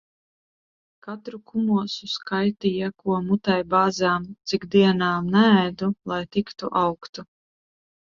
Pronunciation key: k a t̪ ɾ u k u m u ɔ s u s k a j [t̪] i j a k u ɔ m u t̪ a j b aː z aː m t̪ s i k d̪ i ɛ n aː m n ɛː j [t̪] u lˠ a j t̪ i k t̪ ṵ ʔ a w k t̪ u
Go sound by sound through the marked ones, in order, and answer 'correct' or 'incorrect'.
correct, incorrect

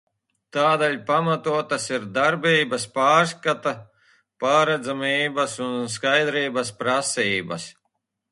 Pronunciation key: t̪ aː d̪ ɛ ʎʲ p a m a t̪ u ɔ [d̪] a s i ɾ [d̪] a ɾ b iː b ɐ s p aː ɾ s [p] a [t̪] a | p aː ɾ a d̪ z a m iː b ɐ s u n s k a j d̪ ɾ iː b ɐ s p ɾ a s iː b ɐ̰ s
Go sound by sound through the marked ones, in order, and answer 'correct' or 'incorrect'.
incorrect, correct, incorrect, correct

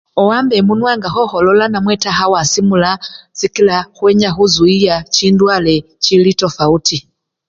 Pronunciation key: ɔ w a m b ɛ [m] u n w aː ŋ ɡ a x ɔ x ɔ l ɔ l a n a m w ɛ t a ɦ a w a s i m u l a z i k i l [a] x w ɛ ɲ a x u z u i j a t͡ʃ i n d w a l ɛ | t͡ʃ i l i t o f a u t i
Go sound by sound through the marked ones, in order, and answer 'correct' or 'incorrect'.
correct, correct

